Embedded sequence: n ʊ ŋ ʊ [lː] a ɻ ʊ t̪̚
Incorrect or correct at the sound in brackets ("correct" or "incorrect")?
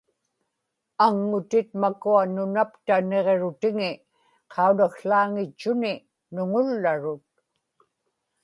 correct